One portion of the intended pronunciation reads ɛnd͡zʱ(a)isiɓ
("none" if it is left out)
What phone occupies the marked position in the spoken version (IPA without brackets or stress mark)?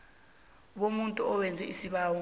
ɛ